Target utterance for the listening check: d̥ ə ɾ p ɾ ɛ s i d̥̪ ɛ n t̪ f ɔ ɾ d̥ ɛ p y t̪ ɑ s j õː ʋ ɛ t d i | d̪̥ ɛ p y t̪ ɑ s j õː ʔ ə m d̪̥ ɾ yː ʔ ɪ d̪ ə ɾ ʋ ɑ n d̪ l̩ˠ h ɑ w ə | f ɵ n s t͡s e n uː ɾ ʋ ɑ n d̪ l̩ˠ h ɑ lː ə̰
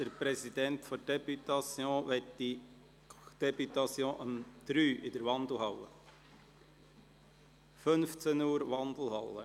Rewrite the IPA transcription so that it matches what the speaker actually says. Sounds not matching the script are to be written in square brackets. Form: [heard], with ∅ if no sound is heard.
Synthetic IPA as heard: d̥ ə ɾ p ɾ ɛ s i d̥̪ ɛ n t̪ f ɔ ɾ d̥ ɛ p y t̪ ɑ s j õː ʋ ɛ t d i | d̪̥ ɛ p y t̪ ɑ s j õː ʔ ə m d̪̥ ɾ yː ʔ ɪ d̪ ə ɾ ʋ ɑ n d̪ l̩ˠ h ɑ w ə | f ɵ n [f] t͡s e n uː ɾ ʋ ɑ n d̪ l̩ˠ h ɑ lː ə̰

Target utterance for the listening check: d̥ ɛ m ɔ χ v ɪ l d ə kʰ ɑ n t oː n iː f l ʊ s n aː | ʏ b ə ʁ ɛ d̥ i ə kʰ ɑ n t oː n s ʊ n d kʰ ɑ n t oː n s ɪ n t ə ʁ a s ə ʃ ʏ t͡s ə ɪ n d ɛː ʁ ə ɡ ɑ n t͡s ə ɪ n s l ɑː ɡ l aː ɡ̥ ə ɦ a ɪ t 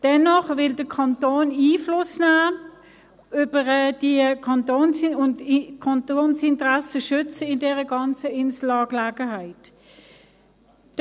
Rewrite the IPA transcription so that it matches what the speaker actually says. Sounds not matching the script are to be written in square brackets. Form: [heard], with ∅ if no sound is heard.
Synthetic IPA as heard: d̥ ɛ [n] ɔ χ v ɪ l d ə kʰ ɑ n t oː n iː f l ʊ s n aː | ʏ b ə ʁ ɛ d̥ i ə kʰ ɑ n t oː n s ʊ n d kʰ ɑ n t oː n s ɪ n t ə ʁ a s ə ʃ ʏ t͡s ə ɪ n d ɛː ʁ ə ɡ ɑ n t͡s ə ɪ n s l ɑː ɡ l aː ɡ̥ ə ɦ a ɪ t

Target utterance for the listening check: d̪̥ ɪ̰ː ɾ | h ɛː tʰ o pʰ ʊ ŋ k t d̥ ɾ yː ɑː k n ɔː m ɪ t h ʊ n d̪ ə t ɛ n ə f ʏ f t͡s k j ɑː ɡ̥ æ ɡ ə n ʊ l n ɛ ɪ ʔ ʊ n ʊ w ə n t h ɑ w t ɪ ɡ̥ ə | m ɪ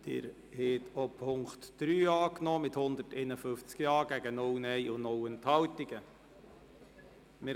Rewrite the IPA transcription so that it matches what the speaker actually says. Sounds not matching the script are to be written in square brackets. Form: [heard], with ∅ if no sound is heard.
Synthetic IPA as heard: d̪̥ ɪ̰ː ɾ | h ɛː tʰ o pʰ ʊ ŋ k t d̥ ɾ yː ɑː k n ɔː m ɪ t h ʊ n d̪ ə t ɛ n ə f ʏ f t͡s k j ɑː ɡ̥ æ ɡ ə n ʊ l n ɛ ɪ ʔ ʊ n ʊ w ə n t h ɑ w t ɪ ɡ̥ ə | m ɪ

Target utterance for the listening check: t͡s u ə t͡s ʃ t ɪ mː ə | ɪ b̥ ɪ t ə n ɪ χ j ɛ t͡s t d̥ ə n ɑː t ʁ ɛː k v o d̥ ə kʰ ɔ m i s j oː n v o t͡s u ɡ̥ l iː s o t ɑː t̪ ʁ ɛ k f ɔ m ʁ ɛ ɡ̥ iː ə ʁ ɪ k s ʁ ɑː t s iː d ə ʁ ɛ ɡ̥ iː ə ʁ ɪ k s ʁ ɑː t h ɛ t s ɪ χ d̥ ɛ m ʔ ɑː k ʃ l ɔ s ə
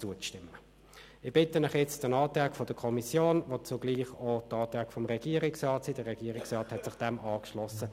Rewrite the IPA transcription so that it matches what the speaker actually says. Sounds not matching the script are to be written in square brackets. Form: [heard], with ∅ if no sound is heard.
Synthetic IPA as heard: t͡s u ə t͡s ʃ t ɪ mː ə | ɪ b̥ ɪ t ə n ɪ χ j ɛ t͡s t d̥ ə n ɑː t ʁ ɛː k [f] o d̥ ə kʰ ɔ m i s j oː n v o t͡s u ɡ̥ l iː [χ] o t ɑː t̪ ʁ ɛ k f ɔ m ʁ ɛ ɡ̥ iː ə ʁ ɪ k s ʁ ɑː t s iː d ə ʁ ɛ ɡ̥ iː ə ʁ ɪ k s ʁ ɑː t h ɛ t s ɪ χ d̥ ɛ m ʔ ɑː k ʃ l ɔ s ə

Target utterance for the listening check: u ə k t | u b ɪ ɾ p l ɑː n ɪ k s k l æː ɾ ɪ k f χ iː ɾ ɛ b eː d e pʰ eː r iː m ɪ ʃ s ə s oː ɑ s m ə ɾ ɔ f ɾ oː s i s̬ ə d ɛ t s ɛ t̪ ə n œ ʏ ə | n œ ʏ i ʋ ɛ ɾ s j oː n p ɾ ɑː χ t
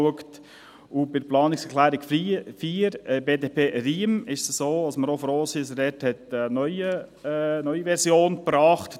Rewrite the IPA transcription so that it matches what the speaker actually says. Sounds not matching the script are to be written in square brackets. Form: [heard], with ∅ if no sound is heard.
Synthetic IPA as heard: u ə k t | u b ɪ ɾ p l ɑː n ɪ k s k l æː ɾ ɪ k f [f] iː ɾ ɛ b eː d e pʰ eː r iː m ɪ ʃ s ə s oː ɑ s m ə ɾ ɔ f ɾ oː s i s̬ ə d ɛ t [h] ɛ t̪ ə n œ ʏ ə | n œ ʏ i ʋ ɛ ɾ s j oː n p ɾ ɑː χ t

